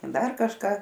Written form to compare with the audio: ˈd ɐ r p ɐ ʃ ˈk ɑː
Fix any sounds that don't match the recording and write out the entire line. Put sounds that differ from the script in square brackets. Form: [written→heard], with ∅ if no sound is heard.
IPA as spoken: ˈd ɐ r [p→k] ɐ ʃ ˈk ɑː